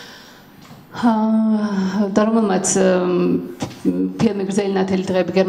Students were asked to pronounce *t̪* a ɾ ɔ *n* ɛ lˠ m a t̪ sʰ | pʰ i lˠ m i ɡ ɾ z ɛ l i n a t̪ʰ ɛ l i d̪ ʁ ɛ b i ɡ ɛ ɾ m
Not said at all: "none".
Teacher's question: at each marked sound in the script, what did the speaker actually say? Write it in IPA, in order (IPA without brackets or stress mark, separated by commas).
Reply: d̪, m